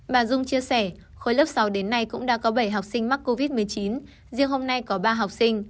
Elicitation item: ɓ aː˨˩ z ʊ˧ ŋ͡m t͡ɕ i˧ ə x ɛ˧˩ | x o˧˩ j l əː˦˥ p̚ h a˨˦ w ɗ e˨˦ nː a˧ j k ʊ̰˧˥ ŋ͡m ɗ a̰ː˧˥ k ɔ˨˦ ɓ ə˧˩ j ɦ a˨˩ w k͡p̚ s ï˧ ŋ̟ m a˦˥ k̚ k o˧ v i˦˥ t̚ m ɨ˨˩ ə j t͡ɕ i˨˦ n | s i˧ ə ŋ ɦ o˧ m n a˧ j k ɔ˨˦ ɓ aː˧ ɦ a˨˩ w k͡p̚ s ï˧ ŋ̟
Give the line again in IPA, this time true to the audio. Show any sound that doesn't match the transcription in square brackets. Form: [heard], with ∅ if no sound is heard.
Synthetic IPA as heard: ɓ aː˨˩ z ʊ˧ ŋ͡m t͡ɕ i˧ ə [s] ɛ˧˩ | x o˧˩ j l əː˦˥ p̚ [s] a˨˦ w ɗ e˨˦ nː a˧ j k ʊ̰˧˥ ŋ͡m ɗ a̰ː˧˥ k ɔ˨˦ ɓ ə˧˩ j ɦ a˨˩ w k͡p̚ s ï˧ ŋ̟ m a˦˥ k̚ k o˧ v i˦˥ t̚ m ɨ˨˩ ə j t͡ɕ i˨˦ n | [z] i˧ ə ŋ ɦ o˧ m n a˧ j k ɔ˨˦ ɓ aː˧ ɦ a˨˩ w k͡p̚ s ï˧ ŋ̟